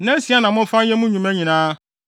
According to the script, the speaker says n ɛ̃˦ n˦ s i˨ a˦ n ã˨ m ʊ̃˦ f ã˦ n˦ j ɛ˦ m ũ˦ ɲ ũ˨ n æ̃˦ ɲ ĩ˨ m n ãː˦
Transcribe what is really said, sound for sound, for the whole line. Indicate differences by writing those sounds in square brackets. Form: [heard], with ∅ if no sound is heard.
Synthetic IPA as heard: n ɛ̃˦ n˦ s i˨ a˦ n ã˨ m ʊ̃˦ f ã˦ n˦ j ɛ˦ m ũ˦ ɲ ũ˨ [m] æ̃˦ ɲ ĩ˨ [∅] n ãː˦